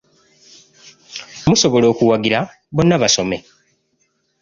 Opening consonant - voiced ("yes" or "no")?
yes